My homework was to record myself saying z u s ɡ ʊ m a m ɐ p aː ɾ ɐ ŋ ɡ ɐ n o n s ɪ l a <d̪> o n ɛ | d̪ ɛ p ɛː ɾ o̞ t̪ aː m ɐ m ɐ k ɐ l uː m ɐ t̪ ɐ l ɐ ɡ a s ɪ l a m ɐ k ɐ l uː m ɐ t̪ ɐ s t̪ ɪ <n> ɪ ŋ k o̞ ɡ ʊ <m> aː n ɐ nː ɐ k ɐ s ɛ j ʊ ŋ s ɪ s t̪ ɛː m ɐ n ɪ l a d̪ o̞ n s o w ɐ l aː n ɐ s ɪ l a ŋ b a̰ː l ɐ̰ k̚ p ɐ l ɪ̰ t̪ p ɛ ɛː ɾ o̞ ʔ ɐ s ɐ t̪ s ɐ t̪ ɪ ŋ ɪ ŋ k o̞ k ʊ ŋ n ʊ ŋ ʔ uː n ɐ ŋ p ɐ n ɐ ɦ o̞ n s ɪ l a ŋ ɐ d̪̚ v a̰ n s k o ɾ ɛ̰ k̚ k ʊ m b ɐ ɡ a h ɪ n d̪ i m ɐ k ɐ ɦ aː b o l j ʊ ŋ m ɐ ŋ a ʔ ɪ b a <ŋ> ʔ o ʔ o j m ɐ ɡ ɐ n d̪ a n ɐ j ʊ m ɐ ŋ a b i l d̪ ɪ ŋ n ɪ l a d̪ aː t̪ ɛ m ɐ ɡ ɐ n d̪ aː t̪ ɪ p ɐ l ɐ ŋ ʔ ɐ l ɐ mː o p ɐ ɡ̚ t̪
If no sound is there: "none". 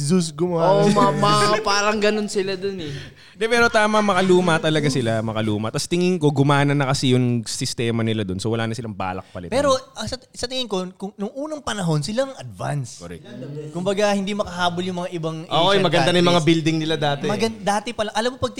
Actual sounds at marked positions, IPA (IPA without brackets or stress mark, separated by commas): d̪, ŋ, m, ŋ